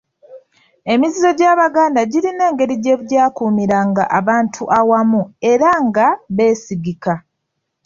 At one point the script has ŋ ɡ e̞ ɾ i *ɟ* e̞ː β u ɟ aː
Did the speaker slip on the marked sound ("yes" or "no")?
no